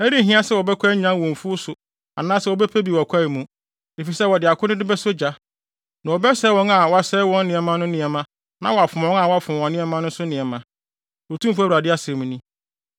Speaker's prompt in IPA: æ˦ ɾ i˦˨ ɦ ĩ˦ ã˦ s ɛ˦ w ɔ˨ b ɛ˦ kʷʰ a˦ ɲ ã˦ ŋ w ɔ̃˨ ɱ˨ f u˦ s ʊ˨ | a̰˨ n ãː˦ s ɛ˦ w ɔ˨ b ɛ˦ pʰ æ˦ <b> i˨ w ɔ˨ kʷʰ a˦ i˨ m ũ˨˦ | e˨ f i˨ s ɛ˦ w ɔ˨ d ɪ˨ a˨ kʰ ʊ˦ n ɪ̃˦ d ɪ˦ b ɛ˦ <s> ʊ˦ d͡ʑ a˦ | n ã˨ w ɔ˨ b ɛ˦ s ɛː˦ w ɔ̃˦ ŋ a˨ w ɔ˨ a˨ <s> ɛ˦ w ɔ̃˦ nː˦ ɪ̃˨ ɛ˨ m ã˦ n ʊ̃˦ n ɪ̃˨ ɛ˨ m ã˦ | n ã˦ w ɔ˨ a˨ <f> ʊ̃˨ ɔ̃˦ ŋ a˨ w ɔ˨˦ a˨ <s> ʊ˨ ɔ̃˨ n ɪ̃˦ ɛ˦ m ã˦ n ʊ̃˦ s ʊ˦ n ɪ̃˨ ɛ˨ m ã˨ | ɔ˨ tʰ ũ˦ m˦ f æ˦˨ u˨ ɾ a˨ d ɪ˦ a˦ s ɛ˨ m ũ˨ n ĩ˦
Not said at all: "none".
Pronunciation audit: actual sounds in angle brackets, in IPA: b, s, s, f, f

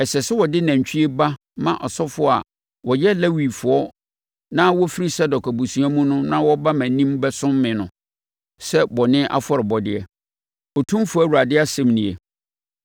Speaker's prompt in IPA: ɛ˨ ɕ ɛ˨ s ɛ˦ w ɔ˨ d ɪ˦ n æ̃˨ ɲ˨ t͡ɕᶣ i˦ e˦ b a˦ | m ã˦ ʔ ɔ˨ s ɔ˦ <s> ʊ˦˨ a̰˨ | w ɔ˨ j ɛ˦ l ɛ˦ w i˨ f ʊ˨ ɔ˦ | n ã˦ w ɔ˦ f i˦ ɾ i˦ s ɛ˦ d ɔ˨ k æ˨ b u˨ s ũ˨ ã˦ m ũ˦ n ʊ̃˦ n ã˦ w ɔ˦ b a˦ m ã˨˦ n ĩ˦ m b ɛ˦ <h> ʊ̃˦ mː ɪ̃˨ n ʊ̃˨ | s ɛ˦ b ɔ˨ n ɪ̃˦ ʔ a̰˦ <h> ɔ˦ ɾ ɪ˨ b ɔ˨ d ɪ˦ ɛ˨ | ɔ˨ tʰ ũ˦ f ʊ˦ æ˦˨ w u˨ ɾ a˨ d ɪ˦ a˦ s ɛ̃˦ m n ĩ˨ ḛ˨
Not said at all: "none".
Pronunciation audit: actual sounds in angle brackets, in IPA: f, s, f

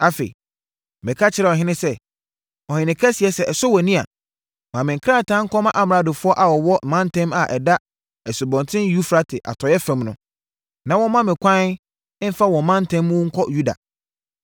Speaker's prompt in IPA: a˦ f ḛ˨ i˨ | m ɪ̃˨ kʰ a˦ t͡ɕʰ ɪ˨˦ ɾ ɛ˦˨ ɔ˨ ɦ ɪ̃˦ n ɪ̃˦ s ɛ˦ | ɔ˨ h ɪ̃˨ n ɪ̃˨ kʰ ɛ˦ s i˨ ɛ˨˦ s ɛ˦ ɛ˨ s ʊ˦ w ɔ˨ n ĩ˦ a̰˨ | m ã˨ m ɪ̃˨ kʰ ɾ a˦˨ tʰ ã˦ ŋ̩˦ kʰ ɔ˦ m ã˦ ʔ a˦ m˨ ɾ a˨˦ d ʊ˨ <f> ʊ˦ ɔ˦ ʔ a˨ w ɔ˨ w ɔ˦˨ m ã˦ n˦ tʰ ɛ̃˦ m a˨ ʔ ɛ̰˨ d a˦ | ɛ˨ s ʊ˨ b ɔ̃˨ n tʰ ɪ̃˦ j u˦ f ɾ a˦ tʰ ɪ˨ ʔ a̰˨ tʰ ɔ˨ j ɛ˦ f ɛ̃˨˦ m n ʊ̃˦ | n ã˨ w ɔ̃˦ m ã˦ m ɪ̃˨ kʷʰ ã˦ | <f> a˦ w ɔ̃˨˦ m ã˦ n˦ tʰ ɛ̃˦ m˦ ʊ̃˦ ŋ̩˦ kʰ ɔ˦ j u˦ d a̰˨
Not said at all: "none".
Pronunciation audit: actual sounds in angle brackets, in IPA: f, f

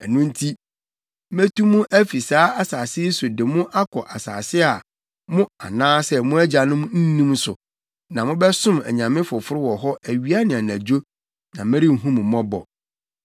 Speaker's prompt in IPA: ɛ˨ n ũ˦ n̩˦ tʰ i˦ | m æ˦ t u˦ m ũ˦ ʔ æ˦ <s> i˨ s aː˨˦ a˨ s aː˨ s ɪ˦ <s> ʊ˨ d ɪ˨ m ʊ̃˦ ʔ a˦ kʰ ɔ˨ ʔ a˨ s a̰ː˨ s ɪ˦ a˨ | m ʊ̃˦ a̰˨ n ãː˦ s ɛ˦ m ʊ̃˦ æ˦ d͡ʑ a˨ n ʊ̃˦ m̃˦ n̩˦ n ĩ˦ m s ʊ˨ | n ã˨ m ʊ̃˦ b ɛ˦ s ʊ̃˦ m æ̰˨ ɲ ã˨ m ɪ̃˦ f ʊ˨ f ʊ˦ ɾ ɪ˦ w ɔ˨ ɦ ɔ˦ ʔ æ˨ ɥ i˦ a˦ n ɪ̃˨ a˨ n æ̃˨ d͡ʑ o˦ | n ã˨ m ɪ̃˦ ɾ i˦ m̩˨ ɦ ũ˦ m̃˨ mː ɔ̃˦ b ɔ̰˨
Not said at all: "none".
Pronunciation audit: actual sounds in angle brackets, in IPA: f, s

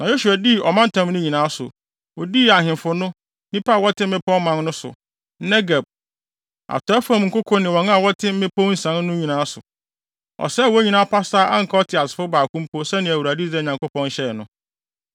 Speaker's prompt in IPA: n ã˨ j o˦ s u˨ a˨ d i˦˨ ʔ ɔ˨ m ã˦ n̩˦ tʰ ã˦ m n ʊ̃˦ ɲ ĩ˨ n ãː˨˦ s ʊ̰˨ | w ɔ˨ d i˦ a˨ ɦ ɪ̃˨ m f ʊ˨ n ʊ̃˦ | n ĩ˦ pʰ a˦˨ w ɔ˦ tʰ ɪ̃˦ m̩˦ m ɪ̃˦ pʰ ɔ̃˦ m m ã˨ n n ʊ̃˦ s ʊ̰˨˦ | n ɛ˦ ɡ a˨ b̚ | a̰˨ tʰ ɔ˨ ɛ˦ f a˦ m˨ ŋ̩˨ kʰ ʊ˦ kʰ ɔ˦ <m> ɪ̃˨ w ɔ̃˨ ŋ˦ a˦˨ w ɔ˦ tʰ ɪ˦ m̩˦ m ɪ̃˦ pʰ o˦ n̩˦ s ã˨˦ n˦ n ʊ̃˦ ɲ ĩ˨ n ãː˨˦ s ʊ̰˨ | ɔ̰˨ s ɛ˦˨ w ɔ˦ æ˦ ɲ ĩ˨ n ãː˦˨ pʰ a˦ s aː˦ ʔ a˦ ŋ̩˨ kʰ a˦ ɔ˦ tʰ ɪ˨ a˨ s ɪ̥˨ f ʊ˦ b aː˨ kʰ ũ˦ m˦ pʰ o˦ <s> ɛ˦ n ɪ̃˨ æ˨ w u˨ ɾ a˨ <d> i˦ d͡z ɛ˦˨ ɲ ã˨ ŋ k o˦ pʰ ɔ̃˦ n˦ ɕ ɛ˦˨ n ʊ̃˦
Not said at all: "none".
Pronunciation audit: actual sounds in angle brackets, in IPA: n, s, d

